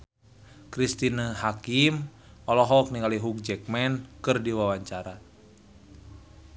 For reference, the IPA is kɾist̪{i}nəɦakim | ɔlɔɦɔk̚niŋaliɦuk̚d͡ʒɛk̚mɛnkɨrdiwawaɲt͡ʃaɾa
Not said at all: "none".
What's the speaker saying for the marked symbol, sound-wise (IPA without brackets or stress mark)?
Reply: i